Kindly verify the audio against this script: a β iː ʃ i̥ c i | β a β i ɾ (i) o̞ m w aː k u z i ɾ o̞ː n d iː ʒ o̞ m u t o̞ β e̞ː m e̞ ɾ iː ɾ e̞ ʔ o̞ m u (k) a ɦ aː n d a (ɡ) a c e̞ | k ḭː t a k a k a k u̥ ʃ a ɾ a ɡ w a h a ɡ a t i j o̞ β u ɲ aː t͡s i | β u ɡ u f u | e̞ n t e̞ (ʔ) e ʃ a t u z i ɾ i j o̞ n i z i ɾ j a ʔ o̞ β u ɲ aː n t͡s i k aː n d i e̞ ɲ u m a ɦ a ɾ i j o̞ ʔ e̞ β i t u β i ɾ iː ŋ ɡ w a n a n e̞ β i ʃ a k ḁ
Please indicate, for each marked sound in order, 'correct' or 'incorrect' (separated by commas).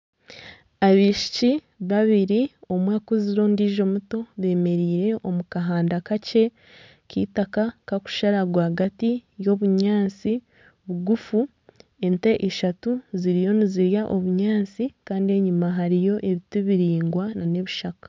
correct, correct, incorrect, correct